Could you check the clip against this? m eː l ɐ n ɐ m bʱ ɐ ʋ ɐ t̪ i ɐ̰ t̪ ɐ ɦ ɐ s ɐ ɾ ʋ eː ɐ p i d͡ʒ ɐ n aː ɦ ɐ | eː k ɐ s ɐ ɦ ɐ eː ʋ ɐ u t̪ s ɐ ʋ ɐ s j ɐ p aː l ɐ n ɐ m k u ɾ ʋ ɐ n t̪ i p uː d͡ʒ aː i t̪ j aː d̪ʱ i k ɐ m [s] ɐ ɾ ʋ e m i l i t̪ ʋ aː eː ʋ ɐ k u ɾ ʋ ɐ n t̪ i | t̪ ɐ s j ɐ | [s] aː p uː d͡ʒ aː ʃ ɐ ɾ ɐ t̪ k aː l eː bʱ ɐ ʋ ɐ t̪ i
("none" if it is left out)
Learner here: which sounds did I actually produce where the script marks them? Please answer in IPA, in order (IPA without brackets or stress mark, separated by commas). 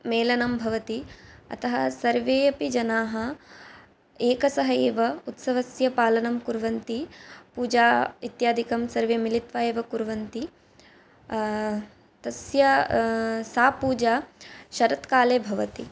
s, s